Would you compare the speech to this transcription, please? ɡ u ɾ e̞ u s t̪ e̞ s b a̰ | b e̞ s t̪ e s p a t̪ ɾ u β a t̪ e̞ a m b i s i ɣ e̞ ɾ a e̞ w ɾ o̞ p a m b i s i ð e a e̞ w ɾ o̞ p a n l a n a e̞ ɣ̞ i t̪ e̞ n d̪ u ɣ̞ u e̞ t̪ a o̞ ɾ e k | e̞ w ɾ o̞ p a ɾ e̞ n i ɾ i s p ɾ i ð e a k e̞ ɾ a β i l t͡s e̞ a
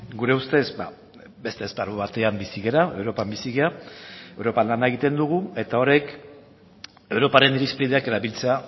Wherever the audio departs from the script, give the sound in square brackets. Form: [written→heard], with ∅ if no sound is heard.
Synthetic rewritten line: ɡ u ɾ e̞ u s t̪ e̞ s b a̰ | b e̞ s t̪ e s p a [t̪→∅] ɾ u β a t̪ e̞ a m b i s i ɣ e̞ ɾ a e̞ w ɾ o̞ p a m b i s i [ð→ɣ] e a e̞ w ɾ o̞ p a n l a n a e̞ ɣ̞ i t̪ e̞ n d̪ u ɣ̞ u e̞ t̪ a o̞ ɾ e k | e̞ w ɾ o̞ p a ɾ e̞ n i ɾ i s p ɾ i ð e a k e̞ ɾ a β i l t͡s e̞ a